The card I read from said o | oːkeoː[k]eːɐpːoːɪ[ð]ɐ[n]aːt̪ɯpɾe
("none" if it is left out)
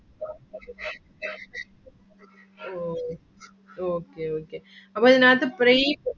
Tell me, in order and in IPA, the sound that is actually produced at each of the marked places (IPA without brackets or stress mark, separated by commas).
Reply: k, ð, n